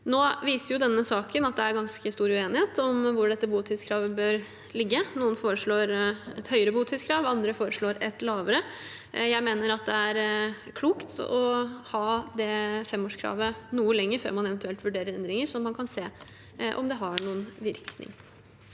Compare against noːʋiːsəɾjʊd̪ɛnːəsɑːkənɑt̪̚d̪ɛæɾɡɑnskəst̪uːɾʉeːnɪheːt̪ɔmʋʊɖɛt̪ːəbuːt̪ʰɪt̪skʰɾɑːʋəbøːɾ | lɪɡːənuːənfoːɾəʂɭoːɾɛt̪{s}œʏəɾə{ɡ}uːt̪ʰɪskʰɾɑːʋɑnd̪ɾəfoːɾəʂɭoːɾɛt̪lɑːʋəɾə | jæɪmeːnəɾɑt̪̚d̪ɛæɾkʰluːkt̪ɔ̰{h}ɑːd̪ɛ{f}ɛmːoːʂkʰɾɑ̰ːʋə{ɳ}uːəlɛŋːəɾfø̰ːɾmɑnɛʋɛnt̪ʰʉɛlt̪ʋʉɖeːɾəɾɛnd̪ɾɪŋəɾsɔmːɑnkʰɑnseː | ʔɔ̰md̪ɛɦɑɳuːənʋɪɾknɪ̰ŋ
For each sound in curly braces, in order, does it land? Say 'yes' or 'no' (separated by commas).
no, no, yes, yes, no